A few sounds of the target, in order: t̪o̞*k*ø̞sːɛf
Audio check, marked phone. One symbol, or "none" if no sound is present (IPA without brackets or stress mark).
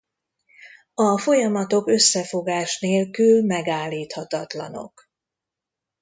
k